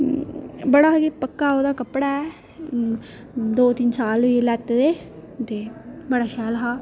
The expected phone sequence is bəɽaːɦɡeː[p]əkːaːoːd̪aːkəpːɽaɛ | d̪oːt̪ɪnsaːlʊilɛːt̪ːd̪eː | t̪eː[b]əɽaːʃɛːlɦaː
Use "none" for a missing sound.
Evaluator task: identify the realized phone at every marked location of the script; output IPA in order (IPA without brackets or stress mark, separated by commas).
p, b